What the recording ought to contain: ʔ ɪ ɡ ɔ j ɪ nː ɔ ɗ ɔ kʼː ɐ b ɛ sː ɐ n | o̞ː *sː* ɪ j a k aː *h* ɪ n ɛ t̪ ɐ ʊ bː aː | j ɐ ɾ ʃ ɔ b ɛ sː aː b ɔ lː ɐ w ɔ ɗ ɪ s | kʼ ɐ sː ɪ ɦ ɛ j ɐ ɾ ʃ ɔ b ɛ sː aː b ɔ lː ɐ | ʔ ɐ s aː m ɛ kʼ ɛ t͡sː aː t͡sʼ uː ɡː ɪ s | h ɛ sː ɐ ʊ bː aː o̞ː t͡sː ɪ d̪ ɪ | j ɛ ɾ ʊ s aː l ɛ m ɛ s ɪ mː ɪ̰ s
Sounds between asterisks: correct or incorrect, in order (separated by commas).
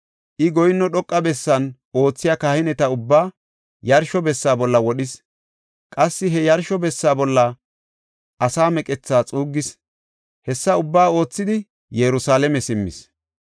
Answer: incorrect, correct